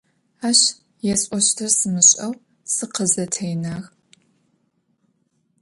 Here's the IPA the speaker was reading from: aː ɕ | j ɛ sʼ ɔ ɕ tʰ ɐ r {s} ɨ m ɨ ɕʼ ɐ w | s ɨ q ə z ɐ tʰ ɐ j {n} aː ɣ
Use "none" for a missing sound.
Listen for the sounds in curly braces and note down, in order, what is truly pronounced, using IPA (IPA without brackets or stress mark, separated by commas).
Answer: s, n